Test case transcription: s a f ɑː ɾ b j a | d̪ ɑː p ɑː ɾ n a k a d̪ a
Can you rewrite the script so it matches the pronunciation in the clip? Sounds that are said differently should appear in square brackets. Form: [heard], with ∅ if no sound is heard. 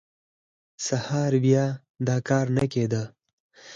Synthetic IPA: s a [h] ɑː ɾ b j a | d̪ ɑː [k] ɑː ɾ n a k [e] d̪ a